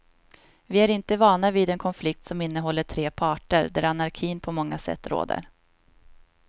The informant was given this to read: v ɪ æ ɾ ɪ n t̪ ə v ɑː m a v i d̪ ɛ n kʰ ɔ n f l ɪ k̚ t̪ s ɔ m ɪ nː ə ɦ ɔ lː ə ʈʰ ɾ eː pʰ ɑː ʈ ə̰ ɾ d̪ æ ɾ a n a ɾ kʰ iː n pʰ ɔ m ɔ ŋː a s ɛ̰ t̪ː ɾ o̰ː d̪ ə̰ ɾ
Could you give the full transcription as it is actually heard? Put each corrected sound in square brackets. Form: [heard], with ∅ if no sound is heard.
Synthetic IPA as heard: v ɪ æ ɾ ɪ n t̪ ə v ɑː [ɳ] a v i d̪ ɛ n kʰ ɔ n f l ɪ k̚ t̪ s ɔ m ɪ nː ə ɦ ɔ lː ə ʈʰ ɾ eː pʰ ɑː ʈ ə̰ ɾ d̪ æ ɾ a n a ɾ kʰ iː n pʰ ɔ m ɔ ŋː a s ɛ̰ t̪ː ɾ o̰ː d̪ ə̰ ɾ